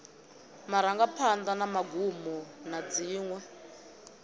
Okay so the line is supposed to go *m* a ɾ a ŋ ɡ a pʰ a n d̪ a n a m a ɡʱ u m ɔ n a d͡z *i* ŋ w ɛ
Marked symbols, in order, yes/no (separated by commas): yes, no